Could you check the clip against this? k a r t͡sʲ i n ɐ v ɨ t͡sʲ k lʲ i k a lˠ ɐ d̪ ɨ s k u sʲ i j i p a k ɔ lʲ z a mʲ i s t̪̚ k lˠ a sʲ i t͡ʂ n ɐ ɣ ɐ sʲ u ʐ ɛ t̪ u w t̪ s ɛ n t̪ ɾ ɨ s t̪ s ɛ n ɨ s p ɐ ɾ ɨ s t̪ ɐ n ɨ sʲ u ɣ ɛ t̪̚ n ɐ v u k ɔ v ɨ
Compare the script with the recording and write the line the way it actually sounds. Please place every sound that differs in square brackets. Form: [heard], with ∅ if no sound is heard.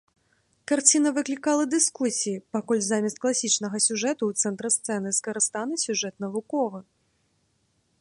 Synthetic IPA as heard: k a r t͡sʲ i n ɐ v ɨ [∅] k lʲ i k a lˠ ɐ d̪ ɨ s k u sʲ i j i p a k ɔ lʲ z a mʲ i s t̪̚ k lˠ a sʲ i t͡ʂ n ɐ ɣ ɐ sʲ u ʐ ɛ t̪ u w t̪ s ɛ n t̪ ɾ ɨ s t̪ s ɛ n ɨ s [k] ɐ ɾ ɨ s t̪ [a] n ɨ sʲ u [ʐ] ɛ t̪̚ n ɐ v u k ɔ v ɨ